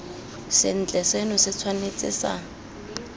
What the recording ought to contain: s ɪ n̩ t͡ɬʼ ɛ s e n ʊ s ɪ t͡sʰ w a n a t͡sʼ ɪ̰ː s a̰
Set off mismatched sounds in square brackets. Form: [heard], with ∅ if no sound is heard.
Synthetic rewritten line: s ɪ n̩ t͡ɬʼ ɛ s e n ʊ s ɪ t͡sʰ w a n [e] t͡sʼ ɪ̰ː s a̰